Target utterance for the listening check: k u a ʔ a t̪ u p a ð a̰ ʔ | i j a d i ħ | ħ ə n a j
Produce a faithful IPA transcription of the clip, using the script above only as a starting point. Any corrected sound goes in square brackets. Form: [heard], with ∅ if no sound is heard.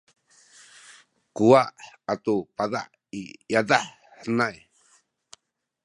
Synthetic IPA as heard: k u a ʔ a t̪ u p a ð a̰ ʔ | i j a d [a] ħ | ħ ə n a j